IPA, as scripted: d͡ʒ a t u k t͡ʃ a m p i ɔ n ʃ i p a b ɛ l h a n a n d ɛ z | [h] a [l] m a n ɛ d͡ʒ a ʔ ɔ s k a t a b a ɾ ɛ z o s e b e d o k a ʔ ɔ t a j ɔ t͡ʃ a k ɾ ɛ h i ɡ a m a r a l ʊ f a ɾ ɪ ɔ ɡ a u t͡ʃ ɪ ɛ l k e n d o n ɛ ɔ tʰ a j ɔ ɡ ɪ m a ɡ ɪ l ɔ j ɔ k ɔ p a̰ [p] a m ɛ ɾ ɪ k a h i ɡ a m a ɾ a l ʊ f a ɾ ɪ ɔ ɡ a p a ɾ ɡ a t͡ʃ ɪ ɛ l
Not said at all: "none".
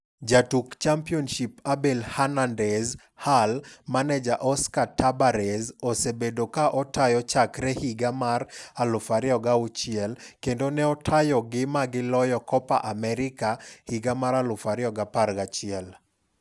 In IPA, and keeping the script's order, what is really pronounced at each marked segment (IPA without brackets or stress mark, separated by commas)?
h, l, ʔ